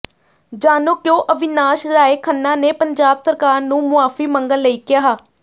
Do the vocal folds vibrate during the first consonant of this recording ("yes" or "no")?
yes